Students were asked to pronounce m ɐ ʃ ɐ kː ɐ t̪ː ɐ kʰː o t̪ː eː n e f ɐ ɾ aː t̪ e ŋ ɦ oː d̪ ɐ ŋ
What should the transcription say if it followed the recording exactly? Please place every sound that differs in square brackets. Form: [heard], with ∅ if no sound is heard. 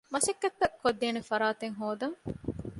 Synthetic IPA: m ɐ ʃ ɐ kː ɐ t̪ː ɐ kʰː o [d̪ː] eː n e f ɐ ɾ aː t̪ e ŋ ɦ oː d̪ ɐ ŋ